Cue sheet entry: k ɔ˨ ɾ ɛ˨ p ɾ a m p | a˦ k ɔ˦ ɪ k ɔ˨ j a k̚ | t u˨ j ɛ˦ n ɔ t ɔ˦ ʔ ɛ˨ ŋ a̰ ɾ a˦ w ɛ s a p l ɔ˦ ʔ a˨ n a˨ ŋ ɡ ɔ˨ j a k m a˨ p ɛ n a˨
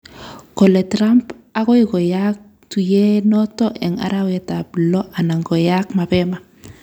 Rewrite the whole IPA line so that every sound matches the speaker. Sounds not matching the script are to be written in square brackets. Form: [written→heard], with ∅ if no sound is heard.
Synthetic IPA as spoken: k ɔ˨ [ɾ→l] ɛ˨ [p→t] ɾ a m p | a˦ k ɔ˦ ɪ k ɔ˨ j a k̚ | t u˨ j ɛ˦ n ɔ t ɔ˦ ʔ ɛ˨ ŋ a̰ ɾ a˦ w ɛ [s→t] a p l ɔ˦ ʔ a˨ n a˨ ŋ ɡ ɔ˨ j a k m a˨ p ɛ [n→m] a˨